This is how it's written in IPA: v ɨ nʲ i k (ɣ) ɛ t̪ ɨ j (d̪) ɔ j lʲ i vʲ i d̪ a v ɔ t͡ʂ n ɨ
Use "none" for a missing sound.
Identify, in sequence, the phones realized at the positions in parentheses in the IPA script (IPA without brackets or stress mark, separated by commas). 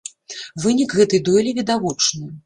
ɣ, d̪